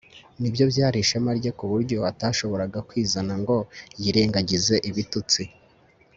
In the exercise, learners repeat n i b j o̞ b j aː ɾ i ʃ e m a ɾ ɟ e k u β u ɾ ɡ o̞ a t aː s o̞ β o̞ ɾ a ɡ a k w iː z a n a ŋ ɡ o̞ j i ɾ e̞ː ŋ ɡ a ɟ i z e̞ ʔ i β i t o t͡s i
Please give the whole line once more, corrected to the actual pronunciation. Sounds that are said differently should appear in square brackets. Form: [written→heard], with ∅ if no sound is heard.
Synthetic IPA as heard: n i b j o̞ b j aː ɾ i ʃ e m a ɾ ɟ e k u β u ɾ [ɡ→ɟ] o̞ a t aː [s→ʃ] o̞ β o̞ ɾ a ɡ a k w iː z a n a ŋ ɡ o̞ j i ɾ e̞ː ŋ ɡ a ɟ i z e̞ ʔ i β i t [o→u] t͡s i